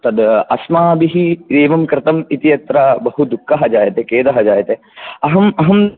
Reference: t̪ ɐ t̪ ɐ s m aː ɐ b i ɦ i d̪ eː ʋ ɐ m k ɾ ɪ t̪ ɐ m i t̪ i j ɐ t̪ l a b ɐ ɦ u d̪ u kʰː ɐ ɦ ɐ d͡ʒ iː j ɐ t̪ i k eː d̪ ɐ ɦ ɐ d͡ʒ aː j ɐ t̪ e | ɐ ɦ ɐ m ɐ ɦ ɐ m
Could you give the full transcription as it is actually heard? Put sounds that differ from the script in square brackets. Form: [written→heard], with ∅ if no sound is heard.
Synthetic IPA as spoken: t̪ ɐ [t̪→d̪] ɐ s m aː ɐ b i ɦ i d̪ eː ʋ ɐ m k ɾ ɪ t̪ ɐ m i t̪ i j ɐ t̪ [l→ɾ] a b ɐ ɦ u d̪ u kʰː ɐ ɦ ɐ d͡ʒ [iː→aː] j ɐ t̪ [i→e] k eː d̪ ɐ ɦ ɐ d͡ʒ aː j ɐ t̪ e | ɐ ɦ ɐ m ɐ ɦ ɐ m